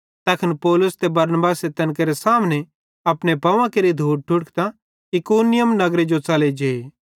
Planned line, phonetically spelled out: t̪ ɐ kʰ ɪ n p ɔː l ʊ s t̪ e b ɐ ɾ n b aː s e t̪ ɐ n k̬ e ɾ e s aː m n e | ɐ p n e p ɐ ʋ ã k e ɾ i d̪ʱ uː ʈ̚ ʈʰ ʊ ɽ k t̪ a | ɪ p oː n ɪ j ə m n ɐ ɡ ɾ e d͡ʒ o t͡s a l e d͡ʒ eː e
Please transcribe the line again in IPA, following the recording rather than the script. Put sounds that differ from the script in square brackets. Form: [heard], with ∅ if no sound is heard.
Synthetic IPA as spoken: t̪ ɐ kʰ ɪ n p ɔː l ʊ s t̪ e b ɐ ɾ n b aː s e t̪ ɐ n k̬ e ɾ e s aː m n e | ɐ p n e p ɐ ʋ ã k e ɾ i d̪ʱ uː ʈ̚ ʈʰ ʊ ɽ k t̪ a | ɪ [k] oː n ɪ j ə m n ɐ ɡ ɾ e d͡ʒ o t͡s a l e d͡ʒ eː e